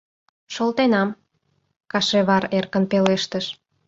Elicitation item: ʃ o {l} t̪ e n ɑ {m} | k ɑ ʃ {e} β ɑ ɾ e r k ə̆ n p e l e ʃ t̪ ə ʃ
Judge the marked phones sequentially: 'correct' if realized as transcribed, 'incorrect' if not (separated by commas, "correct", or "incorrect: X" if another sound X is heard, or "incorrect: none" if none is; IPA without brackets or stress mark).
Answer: correct, correct, correct